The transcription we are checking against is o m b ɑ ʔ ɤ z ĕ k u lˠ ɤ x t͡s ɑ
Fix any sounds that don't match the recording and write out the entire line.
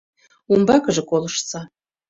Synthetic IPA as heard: u m b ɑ k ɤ ʒ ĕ k o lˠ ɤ ʃ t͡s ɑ

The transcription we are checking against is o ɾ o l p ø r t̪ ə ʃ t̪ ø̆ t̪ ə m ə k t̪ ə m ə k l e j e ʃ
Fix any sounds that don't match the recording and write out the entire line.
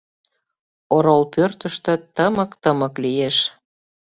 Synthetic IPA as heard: o ɾ o l p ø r t̪ ə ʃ t̪ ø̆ t̪ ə m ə k t̪ ə m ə k l i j e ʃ

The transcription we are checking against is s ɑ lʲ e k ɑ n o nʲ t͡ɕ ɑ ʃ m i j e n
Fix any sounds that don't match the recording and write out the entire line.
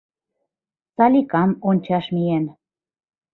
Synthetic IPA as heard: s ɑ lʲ i k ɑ m o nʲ t͡ɕ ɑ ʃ m i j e n

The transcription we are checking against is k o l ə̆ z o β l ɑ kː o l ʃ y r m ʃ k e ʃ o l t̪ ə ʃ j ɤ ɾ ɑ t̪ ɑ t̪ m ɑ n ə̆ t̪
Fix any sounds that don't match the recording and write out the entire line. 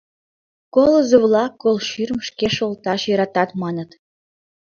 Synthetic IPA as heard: k o l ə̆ z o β l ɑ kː o l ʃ y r m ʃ k e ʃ o l t̪ ɑ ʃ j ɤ ɾ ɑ t̪ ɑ t̪ m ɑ n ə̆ t̪

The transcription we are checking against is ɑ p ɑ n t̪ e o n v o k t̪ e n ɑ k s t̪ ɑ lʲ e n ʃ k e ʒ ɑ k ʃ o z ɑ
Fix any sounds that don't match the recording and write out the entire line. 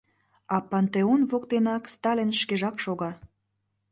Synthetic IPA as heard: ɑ p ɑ n t̪ e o n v o k t̪ e n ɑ k s t̪ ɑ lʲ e n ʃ k e ʒ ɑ k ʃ o ɣ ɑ

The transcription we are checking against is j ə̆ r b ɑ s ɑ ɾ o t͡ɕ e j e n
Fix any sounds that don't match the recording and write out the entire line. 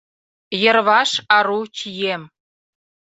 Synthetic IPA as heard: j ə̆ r β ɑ ʃ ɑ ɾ u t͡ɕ i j e m

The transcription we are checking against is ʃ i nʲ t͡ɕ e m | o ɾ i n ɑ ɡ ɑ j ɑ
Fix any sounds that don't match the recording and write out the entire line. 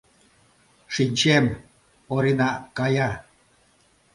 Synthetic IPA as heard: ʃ i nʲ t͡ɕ e m | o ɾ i n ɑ k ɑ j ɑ

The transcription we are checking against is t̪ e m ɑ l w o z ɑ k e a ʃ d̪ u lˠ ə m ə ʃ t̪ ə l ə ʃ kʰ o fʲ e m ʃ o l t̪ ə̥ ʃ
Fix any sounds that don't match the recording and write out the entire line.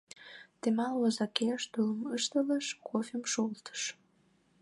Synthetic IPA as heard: t̪ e m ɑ l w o z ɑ k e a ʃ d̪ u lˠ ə m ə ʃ t̪ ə l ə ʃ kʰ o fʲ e m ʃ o l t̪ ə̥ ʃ

